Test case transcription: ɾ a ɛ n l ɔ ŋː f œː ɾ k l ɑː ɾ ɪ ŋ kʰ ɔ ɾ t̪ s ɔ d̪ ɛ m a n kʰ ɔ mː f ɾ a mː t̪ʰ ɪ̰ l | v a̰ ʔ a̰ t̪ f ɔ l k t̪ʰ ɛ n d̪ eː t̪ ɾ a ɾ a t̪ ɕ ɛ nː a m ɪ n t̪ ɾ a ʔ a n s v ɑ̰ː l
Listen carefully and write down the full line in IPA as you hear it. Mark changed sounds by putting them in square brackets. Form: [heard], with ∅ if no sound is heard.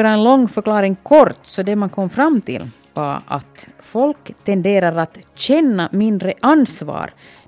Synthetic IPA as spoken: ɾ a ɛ n l ɔ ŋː f [œ] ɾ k l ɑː ɾ ɪ ŋ kʰ ɔ ɾ t̪ s ɔ d̪ ɛ m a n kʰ ɔ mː f ɾ a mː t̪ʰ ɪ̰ l | v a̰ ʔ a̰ t̪ f ɔ l k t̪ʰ ɛ n d̪ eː [∅] ɾ a ɾ a t̪ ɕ ɛ nː a m ɪ n [d̪] ɾ [ə] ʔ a n s v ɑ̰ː [ɾ]